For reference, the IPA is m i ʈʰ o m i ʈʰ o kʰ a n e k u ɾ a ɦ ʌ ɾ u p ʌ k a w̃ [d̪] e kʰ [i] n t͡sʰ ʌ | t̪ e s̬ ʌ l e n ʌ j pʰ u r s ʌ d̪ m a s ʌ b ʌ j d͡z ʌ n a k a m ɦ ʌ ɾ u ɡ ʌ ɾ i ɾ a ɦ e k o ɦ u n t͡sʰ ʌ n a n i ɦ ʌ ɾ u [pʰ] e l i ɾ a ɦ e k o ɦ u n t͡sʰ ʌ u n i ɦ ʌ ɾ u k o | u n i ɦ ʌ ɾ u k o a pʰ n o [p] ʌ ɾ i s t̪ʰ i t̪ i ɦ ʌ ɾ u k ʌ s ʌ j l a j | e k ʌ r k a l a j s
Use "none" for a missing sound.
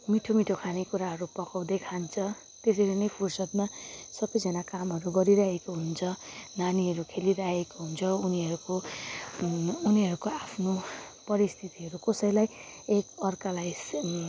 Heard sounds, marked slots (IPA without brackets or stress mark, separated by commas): d̪, a, kʰ, p